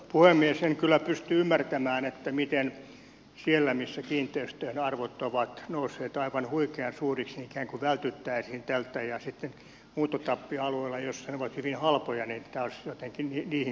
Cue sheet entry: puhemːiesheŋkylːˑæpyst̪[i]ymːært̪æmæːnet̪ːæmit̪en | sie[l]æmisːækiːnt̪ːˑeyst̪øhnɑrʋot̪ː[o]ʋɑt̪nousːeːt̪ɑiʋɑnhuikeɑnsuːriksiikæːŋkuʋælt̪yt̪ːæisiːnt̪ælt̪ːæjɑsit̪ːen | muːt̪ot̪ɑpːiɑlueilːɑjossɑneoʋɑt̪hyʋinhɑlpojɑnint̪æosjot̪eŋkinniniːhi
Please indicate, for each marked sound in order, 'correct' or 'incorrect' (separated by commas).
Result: incorrect, incorrect, correct